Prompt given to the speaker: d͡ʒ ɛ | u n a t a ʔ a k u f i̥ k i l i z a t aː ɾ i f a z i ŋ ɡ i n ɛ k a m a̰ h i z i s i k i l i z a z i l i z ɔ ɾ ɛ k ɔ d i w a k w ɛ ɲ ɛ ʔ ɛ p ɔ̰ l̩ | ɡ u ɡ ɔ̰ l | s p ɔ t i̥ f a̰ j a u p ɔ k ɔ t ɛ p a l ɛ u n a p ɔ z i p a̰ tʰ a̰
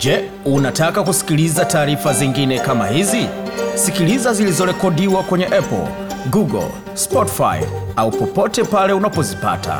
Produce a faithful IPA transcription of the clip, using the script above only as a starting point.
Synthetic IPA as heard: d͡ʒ ɛ | u n a t a k a k u s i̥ k i l i z a t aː ɾ i f a z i ŋ ɡ i n ɛ k a m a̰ h i z i s i k i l i z a z i l i z ɔ ɾ ɛ k ɔ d i w a k w ɛ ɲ ɛ ʔ ɛ p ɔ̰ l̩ | ɡ u ɡ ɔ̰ l | s p ɔ t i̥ f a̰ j a u p ɔ p ɔ t ɛ p a l ɛ u n a p ɔ z i p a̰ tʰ a̰